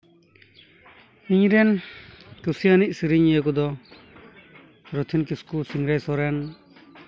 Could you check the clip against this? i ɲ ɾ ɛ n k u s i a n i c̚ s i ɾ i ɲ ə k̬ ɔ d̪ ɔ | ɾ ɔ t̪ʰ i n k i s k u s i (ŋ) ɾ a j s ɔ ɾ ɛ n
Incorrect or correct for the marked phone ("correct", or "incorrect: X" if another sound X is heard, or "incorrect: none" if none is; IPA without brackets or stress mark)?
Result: correct